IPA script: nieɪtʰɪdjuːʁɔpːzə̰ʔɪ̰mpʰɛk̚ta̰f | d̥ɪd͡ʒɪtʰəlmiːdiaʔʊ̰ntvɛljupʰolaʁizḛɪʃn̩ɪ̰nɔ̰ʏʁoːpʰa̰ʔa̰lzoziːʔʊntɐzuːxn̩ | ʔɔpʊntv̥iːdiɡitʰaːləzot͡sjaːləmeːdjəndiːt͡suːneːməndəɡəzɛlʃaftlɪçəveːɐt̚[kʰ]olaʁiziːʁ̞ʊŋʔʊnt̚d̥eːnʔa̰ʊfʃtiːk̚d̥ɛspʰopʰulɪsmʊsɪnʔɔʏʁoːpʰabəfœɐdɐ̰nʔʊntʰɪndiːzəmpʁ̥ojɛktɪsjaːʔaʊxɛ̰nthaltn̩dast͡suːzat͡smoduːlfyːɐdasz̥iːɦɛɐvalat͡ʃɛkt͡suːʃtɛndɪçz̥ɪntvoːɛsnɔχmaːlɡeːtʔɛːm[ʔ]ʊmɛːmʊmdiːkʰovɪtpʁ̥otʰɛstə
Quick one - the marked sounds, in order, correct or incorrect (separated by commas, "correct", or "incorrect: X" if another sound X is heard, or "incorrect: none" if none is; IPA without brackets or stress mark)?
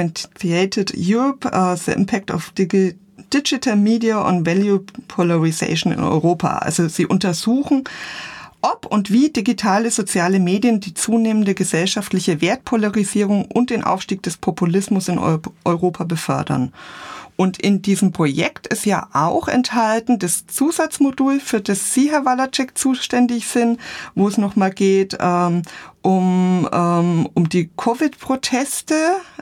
incorrect: pʰ, correct